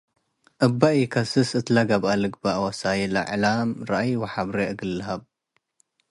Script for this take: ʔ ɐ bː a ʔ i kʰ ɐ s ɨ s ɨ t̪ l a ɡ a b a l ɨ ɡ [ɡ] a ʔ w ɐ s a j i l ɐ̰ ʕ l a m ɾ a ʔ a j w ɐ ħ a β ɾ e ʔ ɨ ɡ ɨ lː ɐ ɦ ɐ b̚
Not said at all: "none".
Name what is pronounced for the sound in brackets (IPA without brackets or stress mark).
b